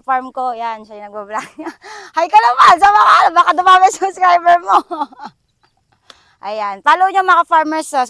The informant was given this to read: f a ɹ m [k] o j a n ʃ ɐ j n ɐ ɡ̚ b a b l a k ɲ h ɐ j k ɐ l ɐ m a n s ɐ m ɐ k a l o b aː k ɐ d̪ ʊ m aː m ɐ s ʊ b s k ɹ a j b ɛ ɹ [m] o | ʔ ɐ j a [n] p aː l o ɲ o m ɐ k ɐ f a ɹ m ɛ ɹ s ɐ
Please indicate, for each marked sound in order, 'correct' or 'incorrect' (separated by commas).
correct, correct, correct